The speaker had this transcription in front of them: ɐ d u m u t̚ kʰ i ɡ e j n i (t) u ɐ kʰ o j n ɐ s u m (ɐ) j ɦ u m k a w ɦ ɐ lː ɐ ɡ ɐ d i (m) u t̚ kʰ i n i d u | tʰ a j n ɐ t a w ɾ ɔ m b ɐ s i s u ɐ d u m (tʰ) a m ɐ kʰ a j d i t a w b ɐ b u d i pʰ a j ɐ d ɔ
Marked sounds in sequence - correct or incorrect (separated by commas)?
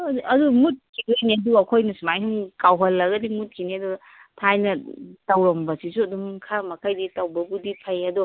incorrect, incorrect, correct, incorrect